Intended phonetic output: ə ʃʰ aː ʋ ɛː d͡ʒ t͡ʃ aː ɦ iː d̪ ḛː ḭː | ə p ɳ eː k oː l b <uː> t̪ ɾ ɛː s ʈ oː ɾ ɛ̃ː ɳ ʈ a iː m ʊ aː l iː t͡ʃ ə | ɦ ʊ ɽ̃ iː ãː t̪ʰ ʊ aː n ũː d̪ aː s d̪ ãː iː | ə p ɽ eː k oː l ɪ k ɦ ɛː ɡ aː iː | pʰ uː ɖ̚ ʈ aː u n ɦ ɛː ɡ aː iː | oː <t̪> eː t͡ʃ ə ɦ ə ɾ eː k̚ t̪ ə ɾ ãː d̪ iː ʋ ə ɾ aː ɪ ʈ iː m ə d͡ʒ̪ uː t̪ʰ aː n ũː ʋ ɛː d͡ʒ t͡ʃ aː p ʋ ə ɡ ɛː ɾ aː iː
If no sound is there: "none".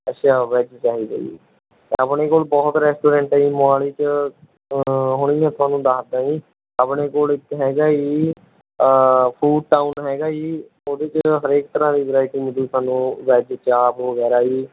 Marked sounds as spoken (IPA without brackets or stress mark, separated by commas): ɔː, d̪